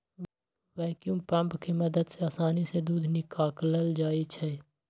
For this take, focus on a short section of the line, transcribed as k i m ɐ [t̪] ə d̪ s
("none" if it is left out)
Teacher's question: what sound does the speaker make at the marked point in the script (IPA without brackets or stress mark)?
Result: d̪